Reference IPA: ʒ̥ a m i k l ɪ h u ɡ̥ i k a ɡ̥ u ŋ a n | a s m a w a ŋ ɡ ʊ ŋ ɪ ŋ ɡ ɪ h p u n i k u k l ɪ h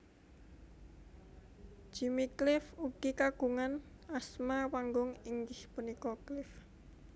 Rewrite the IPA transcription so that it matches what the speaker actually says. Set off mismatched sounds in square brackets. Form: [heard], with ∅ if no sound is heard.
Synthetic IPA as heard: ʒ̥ [i] m i k l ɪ [f] u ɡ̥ i k a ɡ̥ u ŋ a n | a s m a w a ŋ ɡ ʊ ŋ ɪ ŋ ɡ ɪ h p u n i k [ɔ] k l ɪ [f]